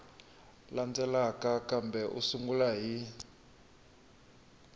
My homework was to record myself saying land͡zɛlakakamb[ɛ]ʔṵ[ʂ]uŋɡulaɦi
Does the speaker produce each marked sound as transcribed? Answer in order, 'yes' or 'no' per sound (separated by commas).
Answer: yes, no